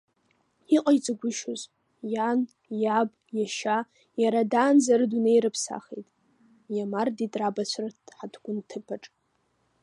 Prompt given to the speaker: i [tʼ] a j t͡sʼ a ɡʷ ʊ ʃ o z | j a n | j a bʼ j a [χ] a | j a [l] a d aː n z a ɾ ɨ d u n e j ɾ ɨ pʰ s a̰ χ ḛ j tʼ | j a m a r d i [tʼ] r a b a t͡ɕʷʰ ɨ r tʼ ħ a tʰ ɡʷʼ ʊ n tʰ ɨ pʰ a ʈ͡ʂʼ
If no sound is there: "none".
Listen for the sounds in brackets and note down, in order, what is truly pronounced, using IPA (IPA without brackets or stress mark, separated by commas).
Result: qʼ, ʃ, ɾ, tʼ